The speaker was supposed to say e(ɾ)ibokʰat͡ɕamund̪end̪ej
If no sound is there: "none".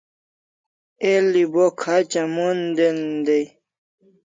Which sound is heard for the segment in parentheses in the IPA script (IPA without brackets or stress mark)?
l